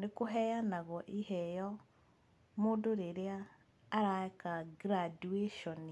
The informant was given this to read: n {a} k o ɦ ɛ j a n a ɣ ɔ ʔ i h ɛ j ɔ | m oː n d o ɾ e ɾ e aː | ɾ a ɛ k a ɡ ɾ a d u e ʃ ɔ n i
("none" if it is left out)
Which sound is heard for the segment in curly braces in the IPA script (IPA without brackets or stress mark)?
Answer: e